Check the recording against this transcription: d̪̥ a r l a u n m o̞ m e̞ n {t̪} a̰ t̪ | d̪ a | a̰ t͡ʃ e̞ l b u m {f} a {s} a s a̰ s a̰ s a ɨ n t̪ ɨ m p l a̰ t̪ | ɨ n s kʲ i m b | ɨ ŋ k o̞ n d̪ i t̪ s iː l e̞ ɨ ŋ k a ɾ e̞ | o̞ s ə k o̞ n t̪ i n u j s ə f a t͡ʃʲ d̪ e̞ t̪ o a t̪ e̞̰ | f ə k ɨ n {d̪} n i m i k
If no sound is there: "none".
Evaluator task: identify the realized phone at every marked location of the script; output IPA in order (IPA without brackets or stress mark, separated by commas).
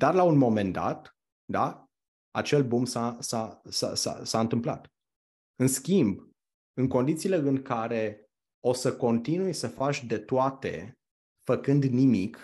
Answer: d̪, s, s, d̪